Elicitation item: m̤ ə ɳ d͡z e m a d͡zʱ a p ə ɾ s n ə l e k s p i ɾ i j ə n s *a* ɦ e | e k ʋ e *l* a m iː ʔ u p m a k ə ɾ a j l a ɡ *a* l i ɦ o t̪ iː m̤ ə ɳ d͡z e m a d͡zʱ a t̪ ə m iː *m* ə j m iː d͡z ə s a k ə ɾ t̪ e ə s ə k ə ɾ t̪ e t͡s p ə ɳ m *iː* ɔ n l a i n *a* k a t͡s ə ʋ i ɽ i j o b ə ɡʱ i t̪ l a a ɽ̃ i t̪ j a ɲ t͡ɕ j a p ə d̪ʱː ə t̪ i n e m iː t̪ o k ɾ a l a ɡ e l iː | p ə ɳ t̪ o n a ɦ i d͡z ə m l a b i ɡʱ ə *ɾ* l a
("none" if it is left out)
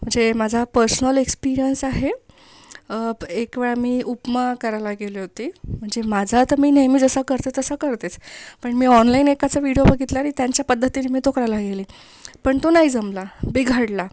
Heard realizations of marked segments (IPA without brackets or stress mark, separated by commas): a, ɭ, e, n, iː, e, ɽ